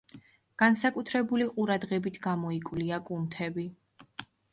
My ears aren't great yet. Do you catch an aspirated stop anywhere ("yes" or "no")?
yes